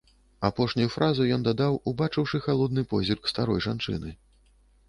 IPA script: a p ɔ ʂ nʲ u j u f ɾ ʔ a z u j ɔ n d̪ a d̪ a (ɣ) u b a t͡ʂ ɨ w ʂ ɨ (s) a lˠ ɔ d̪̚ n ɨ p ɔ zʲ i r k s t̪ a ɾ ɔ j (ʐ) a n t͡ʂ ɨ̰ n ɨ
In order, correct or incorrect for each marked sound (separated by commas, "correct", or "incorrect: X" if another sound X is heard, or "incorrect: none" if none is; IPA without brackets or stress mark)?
incorrect: w, incorrect: x, correct